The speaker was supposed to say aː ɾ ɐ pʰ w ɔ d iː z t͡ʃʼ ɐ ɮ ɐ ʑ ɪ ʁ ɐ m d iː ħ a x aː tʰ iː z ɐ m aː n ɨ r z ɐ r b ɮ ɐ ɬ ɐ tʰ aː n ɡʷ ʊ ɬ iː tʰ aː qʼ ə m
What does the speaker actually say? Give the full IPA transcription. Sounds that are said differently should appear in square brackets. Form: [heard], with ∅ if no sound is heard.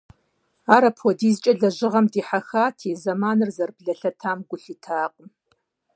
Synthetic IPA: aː ɾ ɐ pʰ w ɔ d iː z t͡ʃʼ ɐ ɮ ɐ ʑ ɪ ʁ ɐ m d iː ħ a x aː tʰ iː z ɐ m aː n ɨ r z ɐ r b ɮ ɐ ɬ ɐ tʰ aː [m] ɡʷ ʊ ɬ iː tʰ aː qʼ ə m